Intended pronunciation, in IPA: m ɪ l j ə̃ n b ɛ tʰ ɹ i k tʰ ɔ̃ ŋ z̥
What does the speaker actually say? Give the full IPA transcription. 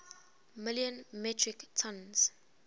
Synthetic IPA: m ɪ l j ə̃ n m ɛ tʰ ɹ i k tʰ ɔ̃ n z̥

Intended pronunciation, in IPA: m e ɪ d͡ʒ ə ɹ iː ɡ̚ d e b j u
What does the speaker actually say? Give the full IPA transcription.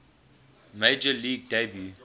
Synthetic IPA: m e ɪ d͡ʒ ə l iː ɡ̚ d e b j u

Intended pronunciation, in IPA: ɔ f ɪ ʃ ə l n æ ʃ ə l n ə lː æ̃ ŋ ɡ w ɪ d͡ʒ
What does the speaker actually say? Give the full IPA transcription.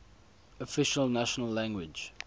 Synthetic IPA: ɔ f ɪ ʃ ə l n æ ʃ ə n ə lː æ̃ ŋ ɡ w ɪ d͡ʒ

